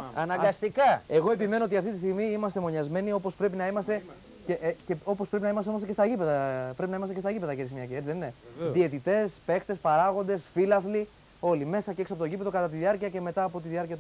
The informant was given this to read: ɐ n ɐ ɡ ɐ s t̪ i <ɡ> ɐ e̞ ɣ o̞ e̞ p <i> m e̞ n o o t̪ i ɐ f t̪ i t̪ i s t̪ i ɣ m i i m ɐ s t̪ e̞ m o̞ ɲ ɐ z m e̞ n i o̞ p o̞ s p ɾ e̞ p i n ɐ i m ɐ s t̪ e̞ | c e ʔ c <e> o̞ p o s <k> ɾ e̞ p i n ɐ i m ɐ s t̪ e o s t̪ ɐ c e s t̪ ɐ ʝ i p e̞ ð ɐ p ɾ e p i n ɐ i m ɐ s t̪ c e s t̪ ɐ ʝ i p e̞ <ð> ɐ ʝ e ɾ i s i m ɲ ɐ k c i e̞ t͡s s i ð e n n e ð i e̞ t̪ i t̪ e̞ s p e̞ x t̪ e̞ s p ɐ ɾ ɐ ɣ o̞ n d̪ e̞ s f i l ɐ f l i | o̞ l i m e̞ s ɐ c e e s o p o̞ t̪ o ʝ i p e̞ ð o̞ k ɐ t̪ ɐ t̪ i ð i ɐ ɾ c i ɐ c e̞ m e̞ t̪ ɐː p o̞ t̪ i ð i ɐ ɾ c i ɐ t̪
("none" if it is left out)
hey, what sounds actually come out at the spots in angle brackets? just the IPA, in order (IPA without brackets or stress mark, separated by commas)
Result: k, i, e, p, ð